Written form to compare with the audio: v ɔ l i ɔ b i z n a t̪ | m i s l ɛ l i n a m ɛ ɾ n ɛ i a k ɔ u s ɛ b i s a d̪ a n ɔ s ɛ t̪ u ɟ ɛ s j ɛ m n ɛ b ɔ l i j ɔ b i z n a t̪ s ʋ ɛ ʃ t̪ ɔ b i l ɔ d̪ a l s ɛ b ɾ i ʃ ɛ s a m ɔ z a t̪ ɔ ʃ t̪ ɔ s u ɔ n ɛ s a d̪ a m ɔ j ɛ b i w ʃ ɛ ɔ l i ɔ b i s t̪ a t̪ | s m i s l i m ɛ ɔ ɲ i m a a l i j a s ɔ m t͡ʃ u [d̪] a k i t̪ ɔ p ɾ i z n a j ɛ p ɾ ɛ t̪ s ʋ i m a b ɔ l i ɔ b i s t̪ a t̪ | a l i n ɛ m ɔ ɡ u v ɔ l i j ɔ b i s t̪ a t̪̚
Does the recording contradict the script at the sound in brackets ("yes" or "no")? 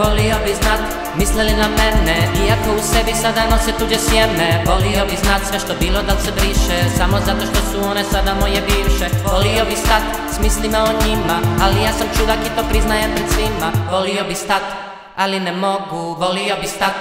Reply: no